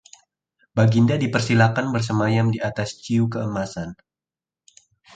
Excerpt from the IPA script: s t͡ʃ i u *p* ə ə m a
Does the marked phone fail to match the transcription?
yes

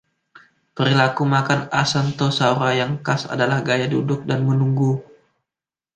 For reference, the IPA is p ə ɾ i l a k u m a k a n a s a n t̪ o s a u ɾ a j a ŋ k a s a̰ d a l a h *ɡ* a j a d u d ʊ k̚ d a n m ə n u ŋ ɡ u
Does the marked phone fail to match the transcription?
no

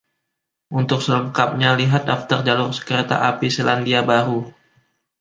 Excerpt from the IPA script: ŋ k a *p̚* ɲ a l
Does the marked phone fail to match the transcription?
no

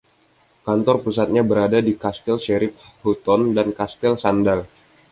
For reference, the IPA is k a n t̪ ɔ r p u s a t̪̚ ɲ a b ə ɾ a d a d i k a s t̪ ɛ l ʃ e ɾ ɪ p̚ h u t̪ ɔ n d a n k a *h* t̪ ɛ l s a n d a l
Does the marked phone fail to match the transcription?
yes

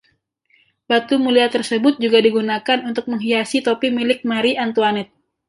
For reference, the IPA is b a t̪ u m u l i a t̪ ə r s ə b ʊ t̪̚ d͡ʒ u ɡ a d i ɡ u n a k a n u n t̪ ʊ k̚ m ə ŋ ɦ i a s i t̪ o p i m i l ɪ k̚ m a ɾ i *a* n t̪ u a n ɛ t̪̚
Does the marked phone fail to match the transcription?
no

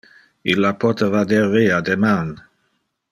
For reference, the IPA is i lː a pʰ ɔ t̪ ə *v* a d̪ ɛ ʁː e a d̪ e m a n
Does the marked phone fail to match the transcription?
no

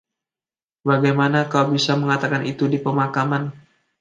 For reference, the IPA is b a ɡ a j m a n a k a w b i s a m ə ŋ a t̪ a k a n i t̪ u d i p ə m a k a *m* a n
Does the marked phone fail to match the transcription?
no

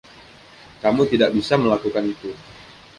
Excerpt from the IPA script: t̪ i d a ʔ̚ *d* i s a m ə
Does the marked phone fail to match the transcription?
yes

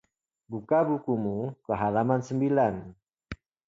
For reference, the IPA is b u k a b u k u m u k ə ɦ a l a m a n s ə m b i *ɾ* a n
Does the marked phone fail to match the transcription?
yes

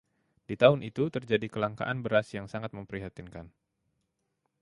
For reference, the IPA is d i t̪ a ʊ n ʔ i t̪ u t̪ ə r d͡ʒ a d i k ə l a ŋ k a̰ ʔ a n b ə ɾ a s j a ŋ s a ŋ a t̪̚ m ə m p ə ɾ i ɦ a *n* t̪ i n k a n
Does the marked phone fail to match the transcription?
yes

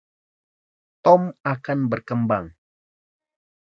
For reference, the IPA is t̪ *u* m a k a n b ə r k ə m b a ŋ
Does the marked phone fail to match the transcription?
yes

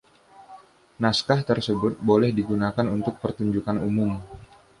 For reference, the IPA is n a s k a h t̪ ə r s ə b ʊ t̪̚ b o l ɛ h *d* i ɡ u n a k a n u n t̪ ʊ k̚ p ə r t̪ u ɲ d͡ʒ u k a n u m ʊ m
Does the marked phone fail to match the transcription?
no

